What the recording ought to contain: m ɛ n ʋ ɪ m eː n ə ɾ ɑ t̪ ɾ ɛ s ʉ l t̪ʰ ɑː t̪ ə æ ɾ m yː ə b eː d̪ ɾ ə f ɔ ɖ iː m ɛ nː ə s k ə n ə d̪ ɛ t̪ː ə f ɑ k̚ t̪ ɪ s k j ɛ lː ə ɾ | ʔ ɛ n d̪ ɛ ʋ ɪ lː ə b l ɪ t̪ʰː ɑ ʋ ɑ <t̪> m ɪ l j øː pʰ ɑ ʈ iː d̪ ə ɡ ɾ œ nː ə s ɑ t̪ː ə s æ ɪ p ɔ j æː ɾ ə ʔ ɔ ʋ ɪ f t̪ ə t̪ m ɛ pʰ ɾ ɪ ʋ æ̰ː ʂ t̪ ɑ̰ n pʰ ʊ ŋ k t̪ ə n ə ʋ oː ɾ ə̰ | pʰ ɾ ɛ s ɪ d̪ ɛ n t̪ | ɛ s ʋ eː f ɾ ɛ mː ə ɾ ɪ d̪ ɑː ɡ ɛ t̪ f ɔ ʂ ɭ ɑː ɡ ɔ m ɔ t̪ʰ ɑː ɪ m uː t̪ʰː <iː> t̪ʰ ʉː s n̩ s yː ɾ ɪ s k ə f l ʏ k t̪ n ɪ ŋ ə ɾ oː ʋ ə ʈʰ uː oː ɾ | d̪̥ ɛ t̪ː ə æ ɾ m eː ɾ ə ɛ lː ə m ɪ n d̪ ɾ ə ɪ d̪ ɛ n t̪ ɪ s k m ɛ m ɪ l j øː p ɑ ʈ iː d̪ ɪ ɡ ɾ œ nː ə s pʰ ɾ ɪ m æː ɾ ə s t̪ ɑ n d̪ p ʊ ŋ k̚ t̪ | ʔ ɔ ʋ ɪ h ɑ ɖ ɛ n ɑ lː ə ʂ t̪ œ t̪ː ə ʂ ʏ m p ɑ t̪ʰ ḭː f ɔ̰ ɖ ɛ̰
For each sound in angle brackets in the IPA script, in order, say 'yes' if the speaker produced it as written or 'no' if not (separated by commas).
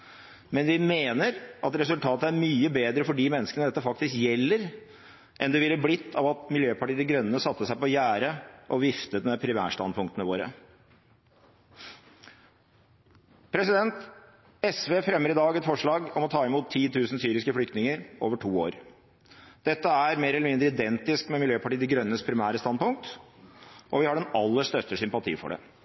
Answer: yes, yes